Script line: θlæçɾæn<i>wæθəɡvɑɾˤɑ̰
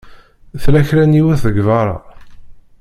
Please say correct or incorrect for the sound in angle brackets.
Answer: correct